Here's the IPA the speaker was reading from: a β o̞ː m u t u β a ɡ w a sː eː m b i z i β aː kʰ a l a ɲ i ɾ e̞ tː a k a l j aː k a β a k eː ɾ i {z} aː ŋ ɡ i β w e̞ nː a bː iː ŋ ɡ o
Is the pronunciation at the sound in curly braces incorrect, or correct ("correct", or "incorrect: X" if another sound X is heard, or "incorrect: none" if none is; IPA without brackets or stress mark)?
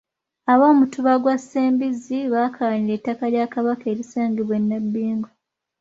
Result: incorrect: s